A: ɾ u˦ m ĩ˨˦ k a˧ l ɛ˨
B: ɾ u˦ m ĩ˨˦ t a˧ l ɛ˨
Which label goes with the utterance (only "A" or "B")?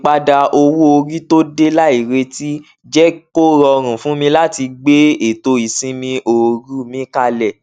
A